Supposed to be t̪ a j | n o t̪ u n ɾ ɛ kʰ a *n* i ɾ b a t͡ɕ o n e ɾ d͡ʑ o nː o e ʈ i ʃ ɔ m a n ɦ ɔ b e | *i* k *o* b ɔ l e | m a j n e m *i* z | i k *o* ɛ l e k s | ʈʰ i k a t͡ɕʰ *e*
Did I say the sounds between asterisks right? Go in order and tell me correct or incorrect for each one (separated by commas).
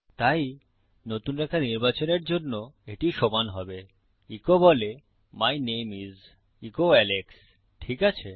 correct, correct, correct, correct, correct, correct